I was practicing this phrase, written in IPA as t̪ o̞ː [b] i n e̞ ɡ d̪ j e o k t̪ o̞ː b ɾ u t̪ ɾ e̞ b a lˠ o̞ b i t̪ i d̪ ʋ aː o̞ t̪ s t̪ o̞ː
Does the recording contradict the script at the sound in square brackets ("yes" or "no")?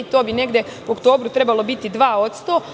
no